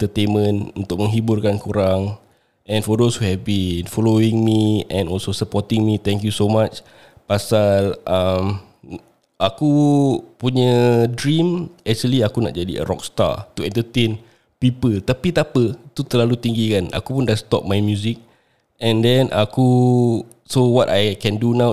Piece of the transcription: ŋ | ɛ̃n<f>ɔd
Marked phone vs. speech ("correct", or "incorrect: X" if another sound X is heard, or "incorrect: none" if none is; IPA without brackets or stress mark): correct